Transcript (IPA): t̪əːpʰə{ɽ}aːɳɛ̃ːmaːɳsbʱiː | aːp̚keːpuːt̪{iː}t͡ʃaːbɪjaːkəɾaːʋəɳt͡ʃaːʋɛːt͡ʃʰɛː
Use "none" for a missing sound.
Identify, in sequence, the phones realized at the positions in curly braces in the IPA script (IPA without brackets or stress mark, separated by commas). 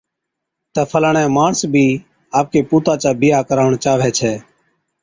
l, aː